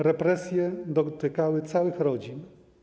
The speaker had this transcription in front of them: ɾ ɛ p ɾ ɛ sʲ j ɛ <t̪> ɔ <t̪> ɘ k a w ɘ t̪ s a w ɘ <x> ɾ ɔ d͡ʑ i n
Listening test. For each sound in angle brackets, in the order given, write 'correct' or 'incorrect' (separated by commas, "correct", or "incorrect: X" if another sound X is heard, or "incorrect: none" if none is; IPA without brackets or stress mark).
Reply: incorrect: d̪, correct, correct